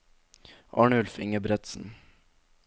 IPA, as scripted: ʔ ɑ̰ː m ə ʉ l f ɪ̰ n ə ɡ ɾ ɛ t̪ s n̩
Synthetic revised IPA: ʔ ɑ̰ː ɳ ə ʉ l f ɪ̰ ŋ ə b ɾ ɛ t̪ s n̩